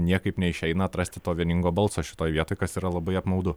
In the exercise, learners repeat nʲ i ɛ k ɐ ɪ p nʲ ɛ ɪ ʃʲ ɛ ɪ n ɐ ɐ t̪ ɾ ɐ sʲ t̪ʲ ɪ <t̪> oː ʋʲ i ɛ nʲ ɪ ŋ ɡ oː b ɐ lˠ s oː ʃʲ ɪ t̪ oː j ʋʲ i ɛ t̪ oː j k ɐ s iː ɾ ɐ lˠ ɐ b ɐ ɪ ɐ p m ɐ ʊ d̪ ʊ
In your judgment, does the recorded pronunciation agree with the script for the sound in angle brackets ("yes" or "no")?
yes